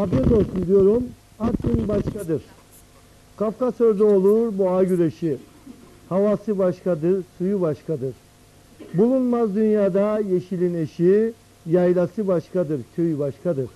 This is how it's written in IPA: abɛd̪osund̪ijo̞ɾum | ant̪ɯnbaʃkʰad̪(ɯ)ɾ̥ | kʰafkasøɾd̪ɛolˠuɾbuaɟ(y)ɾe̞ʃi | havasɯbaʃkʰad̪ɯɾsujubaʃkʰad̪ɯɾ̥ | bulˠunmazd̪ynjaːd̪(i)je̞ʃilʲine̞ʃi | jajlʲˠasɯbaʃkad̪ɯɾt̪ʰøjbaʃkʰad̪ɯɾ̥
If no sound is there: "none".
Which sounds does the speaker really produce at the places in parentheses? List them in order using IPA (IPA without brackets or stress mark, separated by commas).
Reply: ɯ, y, a